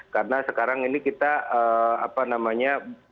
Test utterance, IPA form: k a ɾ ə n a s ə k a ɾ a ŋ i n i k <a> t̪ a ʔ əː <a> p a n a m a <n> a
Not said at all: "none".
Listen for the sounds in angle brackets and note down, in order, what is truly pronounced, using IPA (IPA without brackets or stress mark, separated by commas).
i, a, ɲ